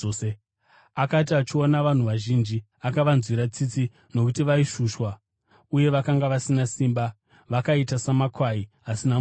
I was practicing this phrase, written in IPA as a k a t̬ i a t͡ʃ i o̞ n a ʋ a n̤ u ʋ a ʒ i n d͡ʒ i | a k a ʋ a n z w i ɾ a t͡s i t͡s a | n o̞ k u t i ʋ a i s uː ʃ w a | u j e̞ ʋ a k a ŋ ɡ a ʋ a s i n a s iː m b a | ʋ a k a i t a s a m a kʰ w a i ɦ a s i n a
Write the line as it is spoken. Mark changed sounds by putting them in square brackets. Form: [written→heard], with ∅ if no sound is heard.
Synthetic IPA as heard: a k a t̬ i a t͡ʃ i o̞ n a ʋ a n̤ u ʋ a ʒ i n d͡ʒ i | a k a ʋ a n z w i ɾ a t͡s i t͡s [a→i] | n o̞ k u t i ʋ a i [s→ʃ] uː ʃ w a | u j e̞ ʋ a k a ŋ ɡ a ʋ a s i n a s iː m b a | ʋ a k a i t a s a m a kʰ w a i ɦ a s i n a